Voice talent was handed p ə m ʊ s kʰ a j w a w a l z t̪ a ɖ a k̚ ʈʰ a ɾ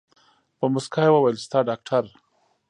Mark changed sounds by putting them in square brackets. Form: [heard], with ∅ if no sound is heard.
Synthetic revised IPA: p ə m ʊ s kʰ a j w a w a l [s] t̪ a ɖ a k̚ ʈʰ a ɾ